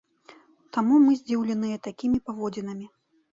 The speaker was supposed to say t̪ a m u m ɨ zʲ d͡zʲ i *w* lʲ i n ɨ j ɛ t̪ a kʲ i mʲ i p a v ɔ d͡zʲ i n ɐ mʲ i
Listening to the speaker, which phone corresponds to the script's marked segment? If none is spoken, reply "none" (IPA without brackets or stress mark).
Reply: w